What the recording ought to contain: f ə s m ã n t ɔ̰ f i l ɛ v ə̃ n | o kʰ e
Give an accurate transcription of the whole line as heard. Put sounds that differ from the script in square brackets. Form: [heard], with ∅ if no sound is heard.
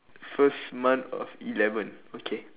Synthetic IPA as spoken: f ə s m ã n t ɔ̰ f i l ɛ v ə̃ n | o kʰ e